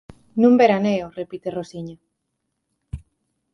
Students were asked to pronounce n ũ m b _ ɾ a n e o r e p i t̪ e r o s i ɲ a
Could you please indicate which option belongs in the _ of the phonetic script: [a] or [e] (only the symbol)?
e